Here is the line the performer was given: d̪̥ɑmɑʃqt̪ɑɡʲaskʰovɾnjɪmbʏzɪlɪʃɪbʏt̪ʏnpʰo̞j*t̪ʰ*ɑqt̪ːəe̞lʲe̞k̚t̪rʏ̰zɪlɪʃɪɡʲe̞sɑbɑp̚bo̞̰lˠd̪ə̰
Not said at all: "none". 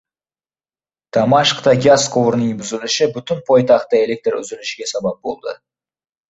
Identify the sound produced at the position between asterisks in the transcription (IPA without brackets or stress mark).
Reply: t̪